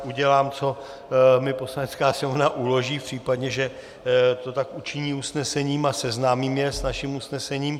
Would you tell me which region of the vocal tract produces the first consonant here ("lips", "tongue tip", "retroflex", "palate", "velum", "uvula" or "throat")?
palate